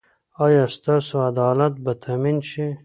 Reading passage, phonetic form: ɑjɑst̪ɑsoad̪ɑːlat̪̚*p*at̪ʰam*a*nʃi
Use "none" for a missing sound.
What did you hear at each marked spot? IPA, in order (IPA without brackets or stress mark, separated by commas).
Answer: b, i